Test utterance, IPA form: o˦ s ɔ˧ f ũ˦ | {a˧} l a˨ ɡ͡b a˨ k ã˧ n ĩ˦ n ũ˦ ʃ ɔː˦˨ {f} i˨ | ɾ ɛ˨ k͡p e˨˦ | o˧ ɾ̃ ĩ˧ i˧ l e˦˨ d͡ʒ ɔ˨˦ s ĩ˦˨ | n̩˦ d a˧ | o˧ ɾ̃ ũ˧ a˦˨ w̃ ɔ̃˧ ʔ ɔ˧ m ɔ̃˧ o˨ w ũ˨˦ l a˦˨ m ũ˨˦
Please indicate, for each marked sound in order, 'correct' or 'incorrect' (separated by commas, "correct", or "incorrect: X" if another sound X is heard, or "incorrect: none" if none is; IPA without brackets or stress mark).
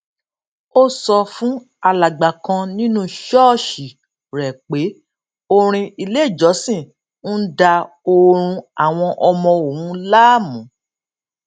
correct, incorrect: ʃ